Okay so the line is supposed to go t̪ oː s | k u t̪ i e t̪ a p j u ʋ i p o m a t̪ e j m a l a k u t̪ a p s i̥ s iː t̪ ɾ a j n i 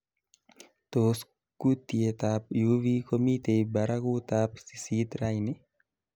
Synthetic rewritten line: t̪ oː s | k u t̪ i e t̪ a p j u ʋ i k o m i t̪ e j b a ɾ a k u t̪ a p s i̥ s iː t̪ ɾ a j n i